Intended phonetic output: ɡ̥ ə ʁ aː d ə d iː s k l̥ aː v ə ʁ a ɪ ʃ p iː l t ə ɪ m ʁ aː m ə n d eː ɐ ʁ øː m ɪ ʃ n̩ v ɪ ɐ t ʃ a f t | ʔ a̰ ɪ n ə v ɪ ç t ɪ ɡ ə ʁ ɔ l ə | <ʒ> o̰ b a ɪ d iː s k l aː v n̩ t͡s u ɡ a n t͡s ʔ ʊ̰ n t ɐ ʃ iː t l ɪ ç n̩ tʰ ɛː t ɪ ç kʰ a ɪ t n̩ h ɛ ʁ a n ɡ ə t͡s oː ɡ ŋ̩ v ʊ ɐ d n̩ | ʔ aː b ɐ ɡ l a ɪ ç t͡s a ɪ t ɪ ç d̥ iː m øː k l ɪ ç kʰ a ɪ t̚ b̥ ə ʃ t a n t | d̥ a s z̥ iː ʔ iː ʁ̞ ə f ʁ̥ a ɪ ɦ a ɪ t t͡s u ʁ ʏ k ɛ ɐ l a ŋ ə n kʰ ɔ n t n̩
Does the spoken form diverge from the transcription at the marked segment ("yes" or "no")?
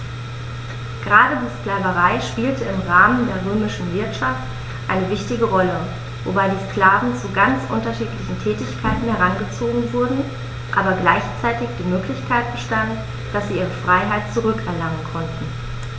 yes